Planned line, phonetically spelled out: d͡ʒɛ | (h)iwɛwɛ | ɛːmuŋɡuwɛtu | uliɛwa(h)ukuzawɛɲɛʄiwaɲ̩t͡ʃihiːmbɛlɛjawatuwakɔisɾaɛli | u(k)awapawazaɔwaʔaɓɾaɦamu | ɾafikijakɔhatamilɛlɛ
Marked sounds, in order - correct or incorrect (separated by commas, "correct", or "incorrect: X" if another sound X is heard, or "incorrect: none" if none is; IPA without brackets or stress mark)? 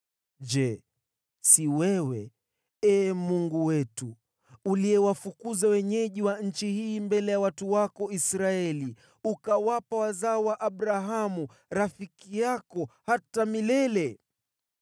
incorrect: s, incorrect: f, correct